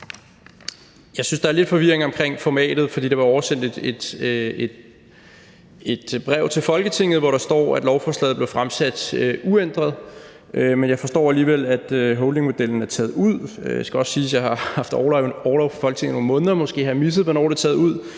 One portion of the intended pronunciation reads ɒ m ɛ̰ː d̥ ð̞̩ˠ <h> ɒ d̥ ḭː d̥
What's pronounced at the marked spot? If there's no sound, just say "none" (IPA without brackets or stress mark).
f